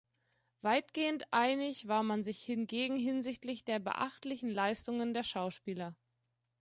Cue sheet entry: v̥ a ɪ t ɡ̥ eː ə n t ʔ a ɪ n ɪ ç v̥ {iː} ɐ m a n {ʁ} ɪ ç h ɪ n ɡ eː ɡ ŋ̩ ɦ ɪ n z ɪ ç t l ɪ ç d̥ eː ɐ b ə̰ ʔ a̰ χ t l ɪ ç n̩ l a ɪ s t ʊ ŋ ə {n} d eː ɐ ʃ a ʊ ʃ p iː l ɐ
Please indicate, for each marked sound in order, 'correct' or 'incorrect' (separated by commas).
incorrect, incorrect, correct